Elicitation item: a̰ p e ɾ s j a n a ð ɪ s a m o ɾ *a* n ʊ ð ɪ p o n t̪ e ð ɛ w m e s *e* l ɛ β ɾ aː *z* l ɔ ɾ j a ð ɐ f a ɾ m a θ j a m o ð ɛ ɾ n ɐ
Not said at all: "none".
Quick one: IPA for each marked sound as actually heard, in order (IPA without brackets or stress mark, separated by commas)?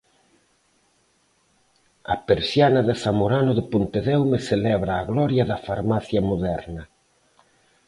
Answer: a, e, ɣ